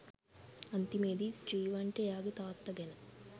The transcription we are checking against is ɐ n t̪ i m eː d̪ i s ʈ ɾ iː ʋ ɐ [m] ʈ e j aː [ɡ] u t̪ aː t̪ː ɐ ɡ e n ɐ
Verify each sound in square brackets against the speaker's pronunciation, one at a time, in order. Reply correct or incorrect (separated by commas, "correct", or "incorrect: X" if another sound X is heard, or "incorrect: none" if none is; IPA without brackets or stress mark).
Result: incorrect: ɳ, correct